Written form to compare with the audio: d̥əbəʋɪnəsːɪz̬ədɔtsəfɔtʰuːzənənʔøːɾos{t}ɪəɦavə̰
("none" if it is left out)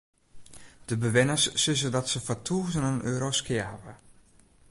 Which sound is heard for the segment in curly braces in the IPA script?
k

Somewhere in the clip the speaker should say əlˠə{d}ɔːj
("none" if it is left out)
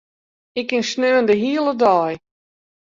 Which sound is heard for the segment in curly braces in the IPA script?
d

